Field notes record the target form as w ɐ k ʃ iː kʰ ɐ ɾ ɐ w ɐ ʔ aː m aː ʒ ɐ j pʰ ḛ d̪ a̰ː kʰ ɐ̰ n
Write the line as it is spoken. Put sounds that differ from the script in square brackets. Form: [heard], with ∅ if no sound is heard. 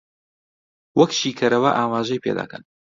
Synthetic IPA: w ɐ k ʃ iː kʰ ɐ ɾ ɐ w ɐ ʔ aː m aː ʒ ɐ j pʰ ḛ d̪ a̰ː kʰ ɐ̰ n